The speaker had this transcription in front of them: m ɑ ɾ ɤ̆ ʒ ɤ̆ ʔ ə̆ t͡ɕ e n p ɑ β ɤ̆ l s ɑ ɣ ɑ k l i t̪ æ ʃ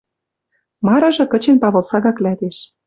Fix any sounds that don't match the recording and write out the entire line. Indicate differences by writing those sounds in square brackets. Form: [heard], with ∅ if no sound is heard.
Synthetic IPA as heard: m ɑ ɾ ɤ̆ ʒ ɤ̆ [k] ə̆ t͡ɕ e n p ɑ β ɤ̆ l s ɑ ɣ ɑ k l [æ] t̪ [e] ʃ